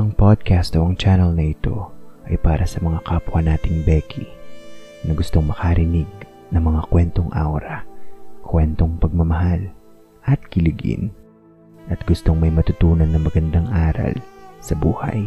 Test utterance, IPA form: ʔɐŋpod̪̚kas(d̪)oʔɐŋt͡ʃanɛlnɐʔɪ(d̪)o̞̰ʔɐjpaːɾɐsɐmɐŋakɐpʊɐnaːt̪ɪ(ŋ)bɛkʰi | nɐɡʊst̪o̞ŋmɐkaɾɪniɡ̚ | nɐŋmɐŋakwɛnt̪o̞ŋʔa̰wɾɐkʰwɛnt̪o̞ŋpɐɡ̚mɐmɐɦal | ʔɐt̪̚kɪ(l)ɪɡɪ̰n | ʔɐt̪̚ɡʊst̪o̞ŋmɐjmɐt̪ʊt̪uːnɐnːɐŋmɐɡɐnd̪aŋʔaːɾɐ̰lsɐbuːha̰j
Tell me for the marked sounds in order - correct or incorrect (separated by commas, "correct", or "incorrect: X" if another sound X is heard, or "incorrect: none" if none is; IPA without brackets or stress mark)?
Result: incorrect: t̪, incorrect: t̪, correct, correct